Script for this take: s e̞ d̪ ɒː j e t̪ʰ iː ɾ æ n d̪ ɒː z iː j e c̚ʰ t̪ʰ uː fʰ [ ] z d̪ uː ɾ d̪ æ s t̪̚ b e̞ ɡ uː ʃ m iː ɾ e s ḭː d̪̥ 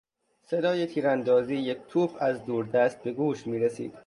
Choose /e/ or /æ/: æ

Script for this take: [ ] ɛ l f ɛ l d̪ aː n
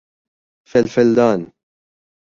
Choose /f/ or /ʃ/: f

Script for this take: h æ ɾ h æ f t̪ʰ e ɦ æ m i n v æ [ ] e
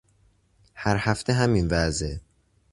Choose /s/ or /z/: z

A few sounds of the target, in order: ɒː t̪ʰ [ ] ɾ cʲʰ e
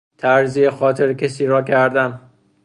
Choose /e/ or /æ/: e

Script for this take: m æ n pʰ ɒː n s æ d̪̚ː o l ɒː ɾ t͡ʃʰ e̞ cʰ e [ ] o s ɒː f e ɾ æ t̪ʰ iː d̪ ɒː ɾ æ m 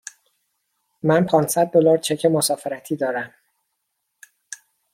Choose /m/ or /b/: m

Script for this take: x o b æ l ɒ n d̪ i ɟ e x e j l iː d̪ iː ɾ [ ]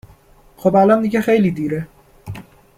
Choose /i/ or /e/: e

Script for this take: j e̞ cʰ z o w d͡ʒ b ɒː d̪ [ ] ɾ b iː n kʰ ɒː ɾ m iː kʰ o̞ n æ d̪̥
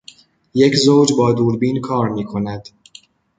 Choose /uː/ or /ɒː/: uː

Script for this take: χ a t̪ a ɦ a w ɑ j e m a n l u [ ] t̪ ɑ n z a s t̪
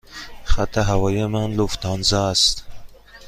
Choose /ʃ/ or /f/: f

